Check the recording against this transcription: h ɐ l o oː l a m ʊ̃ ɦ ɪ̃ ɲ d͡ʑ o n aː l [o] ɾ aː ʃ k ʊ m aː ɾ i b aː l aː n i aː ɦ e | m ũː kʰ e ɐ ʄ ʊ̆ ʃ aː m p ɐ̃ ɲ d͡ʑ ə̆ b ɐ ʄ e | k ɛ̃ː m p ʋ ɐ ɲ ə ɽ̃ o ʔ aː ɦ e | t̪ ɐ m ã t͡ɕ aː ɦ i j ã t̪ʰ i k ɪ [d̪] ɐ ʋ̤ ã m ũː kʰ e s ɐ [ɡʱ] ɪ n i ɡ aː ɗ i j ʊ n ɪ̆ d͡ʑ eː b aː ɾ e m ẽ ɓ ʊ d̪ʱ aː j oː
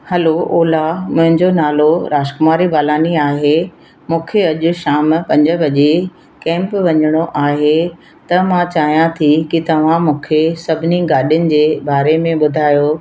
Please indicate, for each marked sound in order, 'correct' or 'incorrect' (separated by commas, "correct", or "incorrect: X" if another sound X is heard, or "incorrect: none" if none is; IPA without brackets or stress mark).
correct, incorrect: t̪, incorrect: bʱ